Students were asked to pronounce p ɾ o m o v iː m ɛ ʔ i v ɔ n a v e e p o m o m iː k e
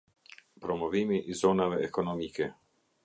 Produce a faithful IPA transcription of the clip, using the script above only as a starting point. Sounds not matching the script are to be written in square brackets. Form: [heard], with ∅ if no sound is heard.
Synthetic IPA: p ɾ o m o v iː m [i] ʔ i [z] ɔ n a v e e [k] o [n] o m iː k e